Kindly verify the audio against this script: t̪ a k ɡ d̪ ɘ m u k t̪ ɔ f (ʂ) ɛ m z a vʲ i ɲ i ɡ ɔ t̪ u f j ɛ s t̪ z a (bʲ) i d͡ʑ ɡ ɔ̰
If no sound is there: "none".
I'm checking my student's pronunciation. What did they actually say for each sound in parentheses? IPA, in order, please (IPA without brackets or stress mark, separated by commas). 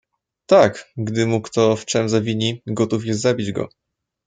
t͡ʂ, bʲ